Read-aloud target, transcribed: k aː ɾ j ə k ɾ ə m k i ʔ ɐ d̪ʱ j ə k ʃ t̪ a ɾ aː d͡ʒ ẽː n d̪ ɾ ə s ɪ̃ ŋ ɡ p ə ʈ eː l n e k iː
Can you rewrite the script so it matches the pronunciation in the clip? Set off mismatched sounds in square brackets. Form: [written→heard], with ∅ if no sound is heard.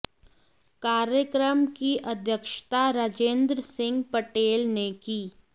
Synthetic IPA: k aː ɾ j ə k ɾ ə m k i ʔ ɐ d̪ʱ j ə k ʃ t̪ a ɾ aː d͡ʒ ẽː n d̪ ɾ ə s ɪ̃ ŋ ɡ p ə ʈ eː l n e k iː